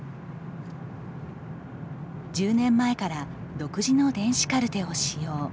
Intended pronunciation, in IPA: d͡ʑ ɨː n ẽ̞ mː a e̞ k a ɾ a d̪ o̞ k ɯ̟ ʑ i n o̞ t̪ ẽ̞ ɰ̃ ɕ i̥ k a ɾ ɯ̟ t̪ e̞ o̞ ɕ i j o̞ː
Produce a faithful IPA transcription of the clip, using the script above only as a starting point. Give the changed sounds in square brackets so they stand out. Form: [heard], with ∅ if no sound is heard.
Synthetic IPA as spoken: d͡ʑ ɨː n ẽ̞ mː a e̞ k a ɾ a d̪ o̞ k ɯ̟ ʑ i n o̞ [d̪] ẽ̞ ɰ̃ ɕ i̥ k a ɾ ɯ̟ t̪ e̞ o̞ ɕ i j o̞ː